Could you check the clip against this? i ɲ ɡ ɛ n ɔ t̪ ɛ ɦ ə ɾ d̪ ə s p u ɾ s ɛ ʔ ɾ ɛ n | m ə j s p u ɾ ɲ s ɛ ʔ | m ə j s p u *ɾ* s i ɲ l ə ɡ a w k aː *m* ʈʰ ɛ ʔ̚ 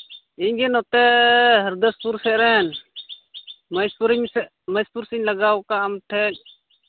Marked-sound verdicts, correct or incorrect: correct, correct

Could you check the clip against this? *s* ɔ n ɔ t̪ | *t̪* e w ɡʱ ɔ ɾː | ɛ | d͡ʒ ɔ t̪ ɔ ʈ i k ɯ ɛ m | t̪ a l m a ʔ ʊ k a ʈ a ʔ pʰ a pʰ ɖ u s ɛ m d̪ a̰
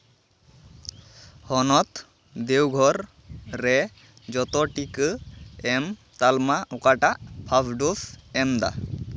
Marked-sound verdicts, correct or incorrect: incorrect, incorrect

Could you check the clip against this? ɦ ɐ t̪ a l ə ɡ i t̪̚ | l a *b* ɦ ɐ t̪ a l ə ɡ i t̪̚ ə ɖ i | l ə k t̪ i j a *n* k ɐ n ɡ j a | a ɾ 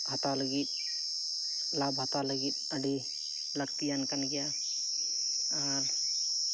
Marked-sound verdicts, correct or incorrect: correct, correct

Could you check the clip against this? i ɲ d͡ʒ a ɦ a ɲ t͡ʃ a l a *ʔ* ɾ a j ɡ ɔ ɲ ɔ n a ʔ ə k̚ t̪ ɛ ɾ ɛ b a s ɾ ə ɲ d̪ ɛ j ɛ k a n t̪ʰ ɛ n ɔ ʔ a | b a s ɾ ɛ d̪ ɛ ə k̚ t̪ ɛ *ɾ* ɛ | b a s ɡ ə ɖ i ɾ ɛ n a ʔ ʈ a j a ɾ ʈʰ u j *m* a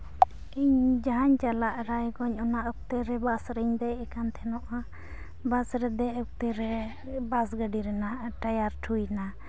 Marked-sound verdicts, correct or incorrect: correct, correct, incorrect

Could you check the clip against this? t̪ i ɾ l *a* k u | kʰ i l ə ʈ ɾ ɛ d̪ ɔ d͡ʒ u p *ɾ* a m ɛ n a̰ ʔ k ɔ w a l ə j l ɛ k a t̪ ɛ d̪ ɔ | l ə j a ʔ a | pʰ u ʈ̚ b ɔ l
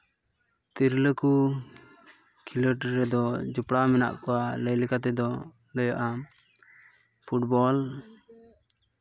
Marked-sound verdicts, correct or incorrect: incorrect, incorrect

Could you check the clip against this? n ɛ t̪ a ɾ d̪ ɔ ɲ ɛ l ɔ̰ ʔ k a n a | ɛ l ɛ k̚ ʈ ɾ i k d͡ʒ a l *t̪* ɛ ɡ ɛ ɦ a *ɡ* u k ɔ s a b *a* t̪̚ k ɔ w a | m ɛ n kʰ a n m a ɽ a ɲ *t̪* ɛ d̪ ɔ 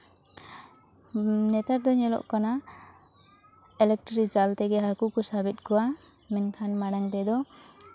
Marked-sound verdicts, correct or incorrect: correct, incorrect, incorrect, correct

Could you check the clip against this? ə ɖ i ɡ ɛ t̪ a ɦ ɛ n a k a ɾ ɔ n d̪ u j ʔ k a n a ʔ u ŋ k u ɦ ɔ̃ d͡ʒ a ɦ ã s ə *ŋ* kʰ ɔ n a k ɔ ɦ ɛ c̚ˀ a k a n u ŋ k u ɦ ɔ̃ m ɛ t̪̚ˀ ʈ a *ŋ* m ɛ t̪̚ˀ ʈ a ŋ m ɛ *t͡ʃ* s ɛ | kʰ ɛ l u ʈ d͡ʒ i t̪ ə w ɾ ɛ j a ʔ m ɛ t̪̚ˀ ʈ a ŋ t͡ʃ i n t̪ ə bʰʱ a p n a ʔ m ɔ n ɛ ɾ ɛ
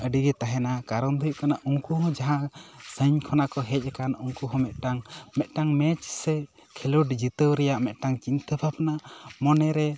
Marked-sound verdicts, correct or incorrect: incorrect, correct, correct

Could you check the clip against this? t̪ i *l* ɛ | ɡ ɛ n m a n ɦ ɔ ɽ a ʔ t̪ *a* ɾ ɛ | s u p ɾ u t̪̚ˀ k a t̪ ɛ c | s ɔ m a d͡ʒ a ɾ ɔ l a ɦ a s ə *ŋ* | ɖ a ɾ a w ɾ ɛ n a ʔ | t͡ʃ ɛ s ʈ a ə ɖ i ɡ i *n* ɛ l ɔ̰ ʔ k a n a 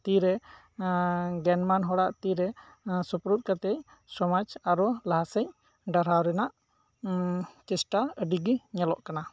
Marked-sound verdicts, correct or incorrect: incorrect, incorrect, incorrect, incorrect

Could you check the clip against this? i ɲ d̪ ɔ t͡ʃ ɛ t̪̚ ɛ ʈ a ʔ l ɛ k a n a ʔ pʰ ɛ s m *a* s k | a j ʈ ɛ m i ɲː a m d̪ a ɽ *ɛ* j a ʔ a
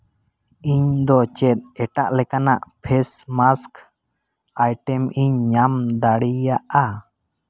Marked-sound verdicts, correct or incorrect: correct, incorrect

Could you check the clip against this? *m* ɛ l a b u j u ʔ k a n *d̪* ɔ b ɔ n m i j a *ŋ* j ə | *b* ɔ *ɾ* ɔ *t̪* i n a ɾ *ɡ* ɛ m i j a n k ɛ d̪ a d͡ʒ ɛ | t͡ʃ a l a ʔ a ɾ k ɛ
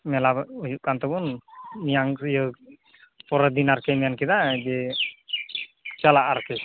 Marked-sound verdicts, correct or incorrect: correct, incorrect, correct, incorrect, correct, incorrect, incorrect

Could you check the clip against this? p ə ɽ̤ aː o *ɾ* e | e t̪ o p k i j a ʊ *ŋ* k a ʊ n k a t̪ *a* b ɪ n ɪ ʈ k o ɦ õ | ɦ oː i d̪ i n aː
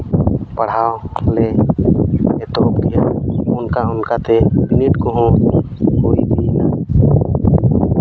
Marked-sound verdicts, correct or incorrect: incorrect, incorrect, incorrect

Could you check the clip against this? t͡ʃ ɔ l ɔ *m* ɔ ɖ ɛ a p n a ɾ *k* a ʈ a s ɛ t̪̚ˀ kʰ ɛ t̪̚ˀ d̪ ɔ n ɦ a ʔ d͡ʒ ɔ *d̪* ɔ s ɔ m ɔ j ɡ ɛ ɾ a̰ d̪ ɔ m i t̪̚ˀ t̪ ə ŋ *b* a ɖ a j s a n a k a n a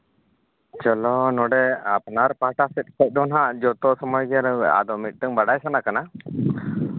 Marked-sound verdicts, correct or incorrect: incorrect, incorrect, incorrect, correct

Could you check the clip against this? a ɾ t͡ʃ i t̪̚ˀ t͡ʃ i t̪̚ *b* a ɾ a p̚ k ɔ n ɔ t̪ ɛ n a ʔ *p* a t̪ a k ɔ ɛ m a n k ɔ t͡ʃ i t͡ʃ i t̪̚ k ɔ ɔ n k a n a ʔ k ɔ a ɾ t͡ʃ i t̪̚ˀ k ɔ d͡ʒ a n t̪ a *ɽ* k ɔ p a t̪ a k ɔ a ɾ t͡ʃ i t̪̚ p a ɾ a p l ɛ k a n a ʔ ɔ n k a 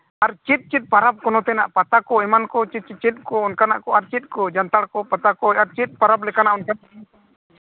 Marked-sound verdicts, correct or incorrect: incorrect, correct, correct

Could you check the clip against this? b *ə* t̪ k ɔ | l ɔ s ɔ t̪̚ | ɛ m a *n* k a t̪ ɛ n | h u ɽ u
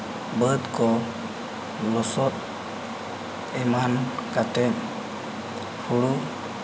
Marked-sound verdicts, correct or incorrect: correct, correct

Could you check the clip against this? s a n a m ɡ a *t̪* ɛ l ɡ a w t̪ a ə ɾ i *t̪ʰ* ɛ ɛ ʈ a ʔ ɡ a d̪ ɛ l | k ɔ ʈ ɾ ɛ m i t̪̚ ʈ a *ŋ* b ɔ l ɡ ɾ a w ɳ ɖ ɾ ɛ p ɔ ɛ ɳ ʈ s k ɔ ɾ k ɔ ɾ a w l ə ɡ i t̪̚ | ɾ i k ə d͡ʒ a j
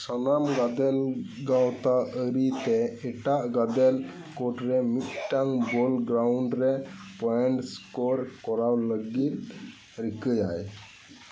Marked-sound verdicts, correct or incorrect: incorrect, incorrect, correct

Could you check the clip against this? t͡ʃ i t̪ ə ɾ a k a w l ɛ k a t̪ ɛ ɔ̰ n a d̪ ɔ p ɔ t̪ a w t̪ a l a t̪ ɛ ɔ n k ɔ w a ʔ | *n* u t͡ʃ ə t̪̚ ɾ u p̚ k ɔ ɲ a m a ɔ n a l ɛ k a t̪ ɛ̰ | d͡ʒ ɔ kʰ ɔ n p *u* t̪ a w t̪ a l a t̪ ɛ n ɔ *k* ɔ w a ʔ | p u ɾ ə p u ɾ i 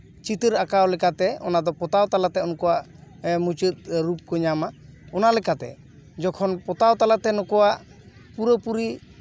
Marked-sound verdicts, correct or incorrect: incorrect, incorrect, correct

